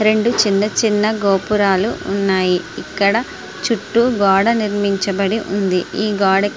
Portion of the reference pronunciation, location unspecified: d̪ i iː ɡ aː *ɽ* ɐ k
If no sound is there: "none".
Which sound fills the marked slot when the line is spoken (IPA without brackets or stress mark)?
ɽ